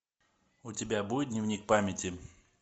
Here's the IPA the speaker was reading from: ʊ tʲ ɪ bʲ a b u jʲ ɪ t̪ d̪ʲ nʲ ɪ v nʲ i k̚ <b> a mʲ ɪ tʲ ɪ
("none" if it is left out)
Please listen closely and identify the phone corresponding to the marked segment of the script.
p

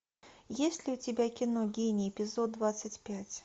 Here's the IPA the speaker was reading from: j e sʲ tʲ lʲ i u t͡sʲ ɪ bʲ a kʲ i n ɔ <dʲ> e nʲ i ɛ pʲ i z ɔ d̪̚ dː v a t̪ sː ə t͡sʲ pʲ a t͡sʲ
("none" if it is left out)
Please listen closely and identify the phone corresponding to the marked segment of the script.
ɡʲ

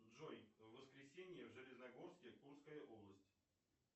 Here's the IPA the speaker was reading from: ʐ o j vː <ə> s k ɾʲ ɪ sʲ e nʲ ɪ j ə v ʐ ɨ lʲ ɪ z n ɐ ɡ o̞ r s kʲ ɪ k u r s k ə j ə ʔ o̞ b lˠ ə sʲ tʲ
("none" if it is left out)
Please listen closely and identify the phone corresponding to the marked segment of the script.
ə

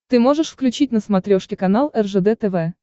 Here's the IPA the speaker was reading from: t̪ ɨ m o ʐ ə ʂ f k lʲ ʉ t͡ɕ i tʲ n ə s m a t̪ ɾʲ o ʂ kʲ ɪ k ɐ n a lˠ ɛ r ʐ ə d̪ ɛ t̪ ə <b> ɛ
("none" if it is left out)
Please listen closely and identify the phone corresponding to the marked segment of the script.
v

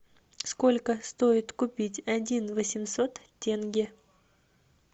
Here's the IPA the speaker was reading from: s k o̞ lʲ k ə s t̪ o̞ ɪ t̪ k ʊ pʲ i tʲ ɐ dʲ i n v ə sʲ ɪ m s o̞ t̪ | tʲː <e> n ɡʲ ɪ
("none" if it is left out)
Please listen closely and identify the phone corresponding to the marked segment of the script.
e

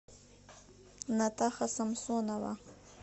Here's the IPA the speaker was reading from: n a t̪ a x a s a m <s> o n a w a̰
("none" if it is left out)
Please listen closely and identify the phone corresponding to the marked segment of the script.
s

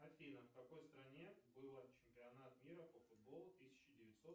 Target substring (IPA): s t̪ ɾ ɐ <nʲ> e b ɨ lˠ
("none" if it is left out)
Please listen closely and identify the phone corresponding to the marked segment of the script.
nʲ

